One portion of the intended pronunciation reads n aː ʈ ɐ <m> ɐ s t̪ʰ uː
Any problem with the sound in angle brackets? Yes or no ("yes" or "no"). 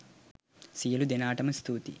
no